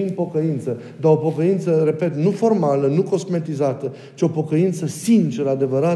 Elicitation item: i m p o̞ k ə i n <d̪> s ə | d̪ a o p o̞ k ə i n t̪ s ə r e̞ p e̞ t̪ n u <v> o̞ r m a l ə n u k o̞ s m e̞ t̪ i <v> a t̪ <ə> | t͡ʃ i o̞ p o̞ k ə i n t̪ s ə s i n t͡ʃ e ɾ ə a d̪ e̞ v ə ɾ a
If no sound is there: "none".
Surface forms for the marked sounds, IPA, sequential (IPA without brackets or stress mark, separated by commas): t̪, f, z, ə